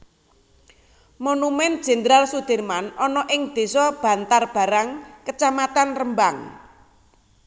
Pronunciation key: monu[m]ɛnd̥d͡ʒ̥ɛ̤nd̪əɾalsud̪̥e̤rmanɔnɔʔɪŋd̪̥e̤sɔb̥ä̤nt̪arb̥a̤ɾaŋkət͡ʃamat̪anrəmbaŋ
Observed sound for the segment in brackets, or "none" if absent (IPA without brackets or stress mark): m